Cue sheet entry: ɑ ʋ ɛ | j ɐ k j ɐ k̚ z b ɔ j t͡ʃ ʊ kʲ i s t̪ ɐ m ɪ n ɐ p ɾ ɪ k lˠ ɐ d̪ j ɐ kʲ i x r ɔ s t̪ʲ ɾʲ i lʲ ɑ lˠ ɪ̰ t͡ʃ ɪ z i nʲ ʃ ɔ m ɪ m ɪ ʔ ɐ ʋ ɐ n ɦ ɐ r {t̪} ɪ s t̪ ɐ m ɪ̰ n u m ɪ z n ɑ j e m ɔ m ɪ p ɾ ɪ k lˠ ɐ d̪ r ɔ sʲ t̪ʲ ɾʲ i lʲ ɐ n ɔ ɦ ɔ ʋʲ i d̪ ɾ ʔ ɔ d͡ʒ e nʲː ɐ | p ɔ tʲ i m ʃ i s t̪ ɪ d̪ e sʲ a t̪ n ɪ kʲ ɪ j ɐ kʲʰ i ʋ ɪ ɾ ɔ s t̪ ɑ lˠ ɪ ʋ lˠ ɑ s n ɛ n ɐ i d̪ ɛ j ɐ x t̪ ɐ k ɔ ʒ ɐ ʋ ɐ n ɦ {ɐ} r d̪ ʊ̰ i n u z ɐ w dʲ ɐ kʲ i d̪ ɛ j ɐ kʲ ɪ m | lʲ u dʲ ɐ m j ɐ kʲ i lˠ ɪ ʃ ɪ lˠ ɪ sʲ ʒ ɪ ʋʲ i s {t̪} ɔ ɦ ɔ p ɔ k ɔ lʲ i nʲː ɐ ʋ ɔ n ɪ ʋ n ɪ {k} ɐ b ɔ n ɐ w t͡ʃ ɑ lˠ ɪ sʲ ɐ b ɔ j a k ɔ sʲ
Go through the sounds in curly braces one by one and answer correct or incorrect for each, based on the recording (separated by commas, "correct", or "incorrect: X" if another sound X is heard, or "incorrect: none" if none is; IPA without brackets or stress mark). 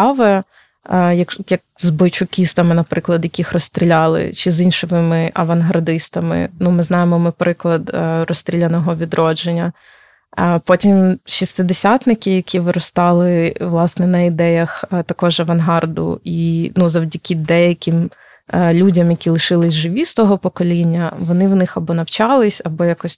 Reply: incorrect: d̪, incorrect: ɑ, correct, incorrect: x